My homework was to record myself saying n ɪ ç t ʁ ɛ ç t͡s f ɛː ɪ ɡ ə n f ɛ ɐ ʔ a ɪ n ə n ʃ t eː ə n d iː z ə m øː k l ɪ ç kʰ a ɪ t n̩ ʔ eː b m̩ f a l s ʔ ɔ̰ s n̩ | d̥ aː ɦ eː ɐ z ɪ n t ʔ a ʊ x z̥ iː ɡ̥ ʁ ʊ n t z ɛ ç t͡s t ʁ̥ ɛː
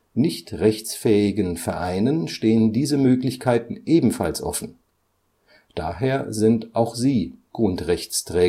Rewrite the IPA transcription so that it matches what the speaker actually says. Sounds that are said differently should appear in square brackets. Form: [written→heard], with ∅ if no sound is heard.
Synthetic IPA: n ɪ ç t ʁ ɛ ç t͡s f ɛː ɪ ɡ ə n f ɛ ɐ ʔ a ɪ n ə n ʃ t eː ə n d iː z ə m øː k l ɪ ç kʰ a ɪ t n̩ ʔ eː b m̩ f a l s ʔ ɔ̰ [s→f] n̩ | d̥ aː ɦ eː ɐ z ɪ n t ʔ a ʊ x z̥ iː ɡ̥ ʁ ʊ n t [z→ʁ] ɛ ç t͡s t ʁ̥ ɛː

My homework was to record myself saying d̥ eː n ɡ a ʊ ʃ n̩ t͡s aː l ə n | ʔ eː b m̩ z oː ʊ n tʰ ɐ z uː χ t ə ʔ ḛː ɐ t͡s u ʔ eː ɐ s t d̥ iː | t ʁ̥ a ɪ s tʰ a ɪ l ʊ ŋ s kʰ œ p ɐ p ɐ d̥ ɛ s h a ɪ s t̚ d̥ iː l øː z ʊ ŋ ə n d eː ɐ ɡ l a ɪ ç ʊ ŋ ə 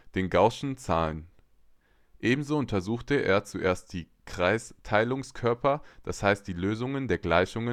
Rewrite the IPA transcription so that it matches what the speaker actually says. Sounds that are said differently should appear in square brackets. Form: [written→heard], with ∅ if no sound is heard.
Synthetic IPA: d̥ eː n ɡ a ʊ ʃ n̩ t͡s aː l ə n | ʔ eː b m̩ z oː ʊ n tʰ ɐ z uː [χ→x] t ə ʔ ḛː ɐ t͡s u ʔ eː ɐ s t d̥ iː | [t→k] ʁ̥ a ɪ s tʰ a ɪ l ʊ ŋ s kʰ œ [p→∅] ɐ p ɐ d̥ [ɛ→a] s h a ɪ s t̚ d̥ iː l øː z ʊ ŋ ə n d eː ɐ ɡ l a ɪ ç ʊ ŋ ə

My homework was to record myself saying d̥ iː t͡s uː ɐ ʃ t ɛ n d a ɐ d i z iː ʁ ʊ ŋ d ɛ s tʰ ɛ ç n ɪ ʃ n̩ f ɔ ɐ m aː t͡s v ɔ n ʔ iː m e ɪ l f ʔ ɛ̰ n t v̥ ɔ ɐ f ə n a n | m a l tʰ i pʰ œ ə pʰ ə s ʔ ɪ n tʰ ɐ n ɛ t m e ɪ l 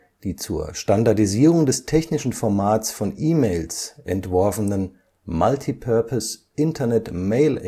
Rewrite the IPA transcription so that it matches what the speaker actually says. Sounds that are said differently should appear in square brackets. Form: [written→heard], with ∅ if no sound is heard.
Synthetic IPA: d̥ iː t͡s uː ɐ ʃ t [ɛ→a] n d a ɐ d i z iː ʁ ʊ ŋ d ɛ s tʰ ɛ ç n ɪ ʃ n̩ f ɔ ɐ m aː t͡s [v→f] ɔ n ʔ iː m e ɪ l [f→s] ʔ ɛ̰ n t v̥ ɔ ɐ f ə n [a→ə] n | m a l tʰ i pʰ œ [ə→ɐ] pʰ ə s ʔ ɪ n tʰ ɐ n ɛ t m e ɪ l

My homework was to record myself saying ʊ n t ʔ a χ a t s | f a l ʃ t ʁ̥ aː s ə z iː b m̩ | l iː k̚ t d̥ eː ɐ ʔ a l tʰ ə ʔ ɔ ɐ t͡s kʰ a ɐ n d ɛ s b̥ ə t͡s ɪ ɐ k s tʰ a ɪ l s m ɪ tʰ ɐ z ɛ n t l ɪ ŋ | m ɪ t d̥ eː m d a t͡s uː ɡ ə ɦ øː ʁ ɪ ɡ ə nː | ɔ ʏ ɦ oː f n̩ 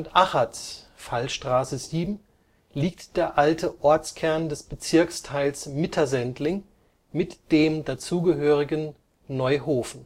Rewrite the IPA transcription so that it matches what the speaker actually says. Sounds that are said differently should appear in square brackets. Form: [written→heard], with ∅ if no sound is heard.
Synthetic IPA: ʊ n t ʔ a χ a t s | f a l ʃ t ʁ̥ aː s ə z iː b m̩ | l iː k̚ t d̥ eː ɐ ʔ a l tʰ ə ʔ ɔ ɐ t͡s kʰ [a→ɛ] ɐ n d ɛ s b̥ ə t͡s ɪ ɐ k s tʰ a ɪ l s m ɪ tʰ ɐ z ɛ n t l ɪ ŋ | m ɪ t d̥ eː m d a t͡s uː ɡ ə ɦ øː ʁ ɪ ɡ ə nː | ɔ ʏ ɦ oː f n̩

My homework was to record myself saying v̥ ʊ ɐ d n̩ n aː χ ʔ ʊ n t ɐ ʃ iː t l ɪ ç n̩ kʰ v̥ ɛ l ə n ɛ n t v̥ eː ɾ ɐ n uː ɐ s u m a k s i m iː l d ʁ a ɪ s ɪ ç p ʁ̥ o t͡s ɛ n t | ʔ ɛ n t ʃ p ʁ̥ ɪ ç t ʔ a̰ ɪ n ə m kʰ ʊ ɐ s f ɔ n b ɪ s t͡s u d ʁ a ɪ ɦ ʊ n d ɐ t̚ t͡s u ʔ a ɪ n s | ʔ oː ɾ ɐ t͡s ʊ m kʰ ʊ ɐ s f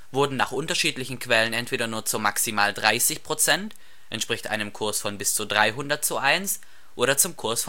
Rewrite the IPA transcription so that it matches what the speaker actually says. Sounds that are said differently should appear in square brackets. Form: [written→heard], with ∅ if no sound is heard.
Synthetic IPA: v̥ ʊ ɐ d n̩ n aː χ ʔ ʊ n t ɐ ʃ iː t l ɪ ç n̩ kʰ v̥ ɛ l ə n ɛ n t v̥ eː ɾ ɐ n uː ɐ [s→t͡s] u m a k s i m [iː→aː] l d ʁ a ɪ s ɪ ç p ʁ̥ o t͡s ɛ n t | ʔ ɛ n t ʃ p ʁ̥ ɪ ç t ʔ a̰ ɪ n ə m kʰ ʊ ɐ s f ɔ n b ɪ s t͡s u d ʁ a ɪ ɦ ʊ n d ɐ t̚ t͡s u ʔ a ɪ n s | ʔ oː ɾ ɐ t͡s ʊ m kʰ ʊ ɐ s f

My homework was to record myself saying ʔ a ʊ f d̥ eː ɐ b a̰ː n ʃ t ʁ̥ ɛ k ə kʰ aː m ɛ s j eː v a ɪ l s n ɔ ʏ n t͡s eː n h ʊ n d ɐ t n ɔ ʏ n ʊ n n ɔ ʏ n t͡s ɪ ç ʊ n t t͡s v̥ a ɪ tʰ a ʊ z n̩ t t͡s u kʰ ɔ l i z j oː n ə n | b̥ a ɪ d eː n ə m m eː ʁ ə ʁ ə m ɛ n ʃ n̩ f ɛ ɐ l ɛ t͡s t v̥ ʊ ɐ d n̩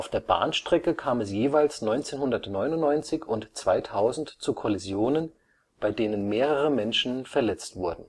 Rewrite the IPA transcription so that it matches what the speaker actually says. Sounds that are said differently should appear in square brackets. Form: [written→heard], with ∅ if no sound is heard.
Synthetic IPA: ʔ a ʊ f d̥ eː ɐ b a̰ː n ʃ t ʁ̥ ɛ k ə kʰ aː m ɛ s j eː v a ɪ l s n ɔ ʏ n t͡s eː n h ʊ n d ɐ t n ɔ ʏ n ʊ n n ɔ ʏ n t͡s ɪ ç ʊ n t t͡s v̥ a ɪ tʰ a ʊ z n̩ t t͡s u kʰ ɔ l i z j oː n ə n | b̥ a ɪ d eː n ə [m→n] m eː ʁ ə ʁ ə m ɛ n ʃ n̩ f ɛ ɐ l ɛ t͡s t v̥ ʊ ɐ d n̩

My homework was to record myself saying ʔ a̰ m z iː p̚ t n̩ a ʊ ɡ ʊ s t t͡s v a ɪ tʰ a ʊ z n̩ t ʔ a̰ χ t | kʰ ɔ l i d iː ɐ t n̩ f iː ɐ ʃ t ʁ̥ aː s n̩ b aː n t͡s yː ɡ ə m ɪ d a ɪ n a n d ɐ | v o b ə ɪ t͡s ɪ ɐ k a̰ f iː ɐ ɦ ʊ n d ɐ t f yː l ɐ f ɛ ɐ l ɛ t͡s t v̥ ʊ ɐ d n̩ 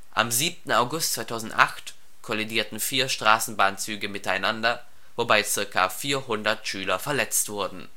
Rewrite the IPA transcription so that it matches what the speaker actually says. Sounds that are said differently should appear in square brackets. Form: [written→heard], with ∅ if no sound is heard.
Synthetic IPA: ʔ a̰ m z iː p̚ t n̩ a ʊ ɡ ʊ s t t͡s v a ɪ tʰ a ʊ z n̩ t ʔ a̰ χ t | kʰ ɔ l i d iː ɐ t n̩ f iː ɐ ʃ t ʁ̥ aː s n̩ b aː n t͡s yː ɡ ə m ɪ [d→t] a ɪ n a n d ɐ | v o b [ə→a] ɪ t͡s ɪ ɐ k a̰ f iː ɐ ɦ ʊ n d ɐ t [f→ʃ] yː l ɐ f ɛ ɐ l ɛ t͡s t v̥ ʊ ɐ d n̩

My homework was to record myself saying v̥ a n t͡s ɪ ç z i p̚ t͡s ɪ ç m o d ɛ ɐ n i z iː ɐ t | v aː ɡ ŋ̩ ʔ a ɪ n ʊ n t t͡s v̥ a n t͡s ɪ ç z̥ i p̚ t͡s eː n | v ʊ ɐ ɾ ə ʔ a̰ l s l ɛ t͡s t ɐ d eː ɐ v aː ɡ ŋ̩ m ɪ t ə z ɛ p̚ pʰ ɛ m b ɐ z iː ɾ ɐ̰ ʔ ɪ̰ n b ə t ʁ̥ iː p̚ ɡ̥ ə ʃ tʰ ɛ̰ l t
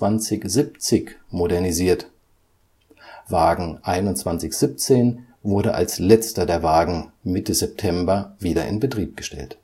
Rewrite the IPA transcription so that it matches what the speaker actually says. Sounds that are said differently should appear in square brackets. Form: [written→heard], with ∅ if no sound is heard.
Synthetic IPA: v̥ a n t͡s ɪ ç z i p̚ t͡s ɪ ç m o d ɛ ɐ n i z iː ɐ t | v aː ɡ ŋ̩ ʔ a ɪ n ʊ n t t͡s v̥ a n t͡s ɪ ç z̥ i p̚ t͡s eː n | v ʊ ɐ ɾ ə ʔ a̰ l s l ɛ t͡s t ɐ d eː ɐ v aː ɡ ŋ̩ m ɪ t ə z ɛ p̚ [pʰ→tʰ] ɛ m b ɐ [z→v] iː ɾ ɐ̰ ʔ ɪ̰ n b ə t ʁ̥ iː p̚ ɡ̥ ə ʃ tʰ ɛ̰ l t

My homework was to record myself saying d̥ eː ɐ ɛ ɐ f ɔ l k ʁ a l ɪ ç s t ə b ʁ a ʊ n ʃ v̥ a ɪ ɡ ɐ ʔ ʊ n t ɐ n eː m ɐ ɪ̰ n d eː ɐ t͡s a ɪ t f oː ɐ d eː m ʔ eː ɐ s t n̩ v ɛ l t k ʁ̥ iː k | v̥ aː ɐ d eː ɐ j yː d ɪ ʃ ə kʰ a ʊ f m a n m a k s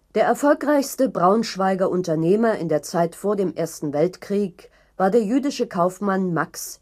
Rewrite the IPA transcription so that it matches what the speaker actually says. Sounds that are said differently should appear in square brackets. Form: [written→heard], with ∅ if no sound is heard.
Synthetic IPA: d̥ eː ɐ ɛ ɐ f ɔ l k ʁ a [l→∅] ɪ ç s t ə b ʁ a ʊ n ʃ v̥ a ɪ ɡ ɐ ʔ ʊ n t ɐ n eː m ɐ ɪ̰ n d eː ɐ t͡s a ɪ t f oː ɐ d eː m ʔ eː ɐ s t n̩ v ɛ l t k ʁ̥ iː k | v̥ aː ɐ d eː ɐ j yː d ɪ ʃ ə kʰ a ʊ f m a n m a k s

